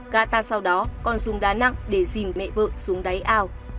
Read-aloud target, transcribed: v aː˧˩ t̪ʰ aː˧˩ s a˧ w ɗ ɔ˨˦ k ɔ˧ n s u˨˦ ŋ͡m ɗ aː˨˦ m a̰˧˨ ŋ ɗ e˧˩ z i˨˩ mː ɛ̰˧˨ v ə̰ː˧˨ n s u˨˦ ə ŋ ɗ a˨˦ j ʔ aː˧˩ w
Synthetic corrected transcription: ɣ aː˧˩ t̪ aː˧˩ s a˧ w ɗ ɔ˨˦ k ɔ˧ n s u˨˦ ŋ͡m ɗ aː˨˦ n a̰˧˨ ŋ ɗ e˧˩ z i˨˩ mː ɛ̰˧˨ v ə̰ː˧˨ n s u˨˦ ə ŋ ɗ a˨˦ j ʔ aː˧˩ w